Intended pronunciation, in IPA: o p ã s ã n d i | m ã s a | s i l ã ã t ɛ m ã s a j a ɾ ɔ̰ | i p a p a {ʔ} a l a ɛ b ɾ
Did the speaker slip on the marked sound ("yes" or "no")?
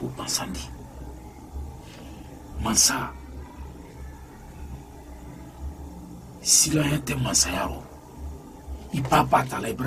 yes